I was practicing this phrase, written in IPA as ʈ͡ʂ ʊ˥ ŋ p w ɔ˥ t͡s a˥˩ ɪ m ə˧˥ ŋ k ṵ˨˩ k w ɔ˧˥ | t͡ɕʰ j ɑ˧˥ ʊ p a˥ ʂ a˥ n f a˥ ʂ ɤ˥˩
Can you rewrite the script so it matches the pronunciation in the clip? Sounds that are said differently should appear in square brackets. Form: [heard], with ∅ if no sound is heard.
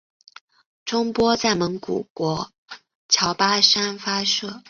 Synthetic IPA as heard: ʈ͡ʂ ʊ˥ ŋ p w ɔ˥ t͡s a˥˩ ɪ m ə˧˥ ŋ k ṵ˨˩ k w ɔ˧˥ | t͡ɕʰ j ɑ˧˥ ʊ p a˥ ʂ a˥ n f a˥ ʂ ɤ˥˩